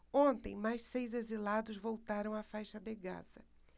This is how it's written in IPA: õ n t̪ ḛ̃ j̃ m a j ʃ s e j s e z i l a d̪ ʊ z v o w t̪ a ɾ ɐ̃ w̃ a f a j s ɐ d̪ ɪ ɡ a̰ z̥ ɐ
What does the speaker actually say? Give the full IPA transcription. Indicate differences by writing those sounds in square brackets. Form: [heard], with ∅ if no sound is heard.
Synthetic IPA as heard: õ n t̪ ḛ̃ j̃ m a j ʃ s e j [z] e z i l a d̪ ʊ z v o w t̪ a ɾ ɐ̃ w̃ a f a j [ʃ] ɐ d̪ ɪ ɡ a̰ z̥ ɐ